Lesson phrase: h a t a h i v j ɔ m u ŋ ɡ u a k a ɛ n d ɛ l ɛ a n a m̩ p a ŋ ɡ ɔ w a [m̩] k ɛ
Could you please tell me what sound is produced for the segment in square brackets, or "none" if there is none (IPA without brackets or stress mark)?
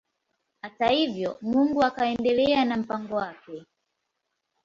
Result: none